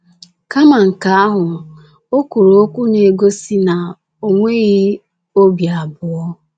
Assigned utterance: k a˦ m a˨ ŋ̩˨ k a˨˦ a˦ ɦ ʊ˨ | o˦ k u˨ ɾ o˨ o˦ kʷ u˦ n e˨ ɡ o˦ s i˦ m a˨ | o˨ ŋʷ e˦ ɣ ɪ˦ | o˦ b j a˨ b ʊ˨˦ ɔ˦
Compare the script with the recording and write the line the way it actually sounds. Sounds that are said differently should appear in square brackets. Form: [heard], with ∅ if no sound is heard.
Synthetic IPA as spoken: k a˦ m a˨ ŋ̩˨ k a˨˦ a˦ ɦ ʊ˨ | o˦ k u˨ ɾ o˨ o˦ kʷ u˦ n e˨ ɡ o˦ s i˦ [n] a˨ | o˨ ŋʷ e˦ ɣ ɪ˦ | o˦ b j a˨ b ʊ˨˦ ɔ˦